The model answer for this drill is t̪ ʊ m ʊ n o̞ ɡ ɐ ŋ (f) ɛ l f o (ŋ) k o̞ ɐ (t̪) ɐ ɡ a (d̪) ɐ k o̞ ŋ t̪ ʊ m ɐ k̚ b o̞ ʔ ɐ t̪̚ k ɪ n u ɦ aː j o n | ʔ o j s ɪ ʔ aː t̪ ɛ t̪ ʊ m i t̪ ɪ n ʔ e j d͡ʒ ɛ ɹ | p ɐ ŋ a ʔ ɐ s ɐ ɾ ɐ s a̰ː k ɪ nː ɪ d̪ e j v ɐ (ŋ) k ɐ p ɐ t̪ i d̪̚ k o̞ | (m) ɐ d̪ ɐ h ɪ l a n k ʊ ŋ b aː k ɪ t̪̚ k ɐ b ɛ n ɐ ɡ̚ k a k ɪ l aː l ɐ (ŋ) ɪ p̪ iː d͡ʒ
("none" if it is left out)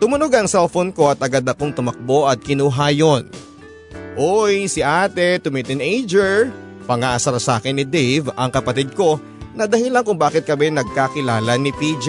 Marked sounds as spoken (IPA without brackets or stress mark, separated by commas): s, n, t̪, d̪, ŋ, n, n